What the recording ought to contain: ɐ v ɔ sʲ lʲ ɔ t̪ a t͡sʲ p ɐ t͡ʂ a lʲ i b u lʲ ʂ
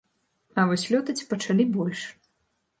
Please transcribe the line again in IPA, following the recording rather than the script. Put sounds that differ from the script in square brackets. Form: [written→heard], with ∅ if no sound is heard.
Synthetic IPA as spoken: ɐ v ɔ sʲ lʲ ɔ t̪ [a→ɐ] t͡sʲ p ɐ t͡ʂ a lʲ i b [u→ɔ] lʲ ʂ